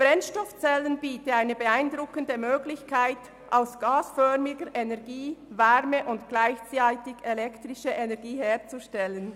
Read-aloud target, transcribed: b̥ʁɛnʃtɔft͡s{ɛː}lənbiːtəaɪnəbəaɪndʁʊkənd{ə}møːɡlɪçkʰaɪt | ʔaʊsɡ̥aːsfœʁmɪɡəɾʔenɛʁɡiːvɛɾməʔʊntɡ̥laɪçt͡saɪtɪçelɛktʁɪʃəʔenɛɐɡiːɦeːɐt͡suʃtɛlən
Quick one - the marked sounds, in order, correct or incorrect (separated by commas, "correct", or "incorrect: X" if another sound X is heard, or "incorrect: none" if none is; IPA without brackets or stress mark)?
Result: incorrect: ɛ, correct